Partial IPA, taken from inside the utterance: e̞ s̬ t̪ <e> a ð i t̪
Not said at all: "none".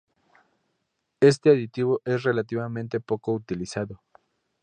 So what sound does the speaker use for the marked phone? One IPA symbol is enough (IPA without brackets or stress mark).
e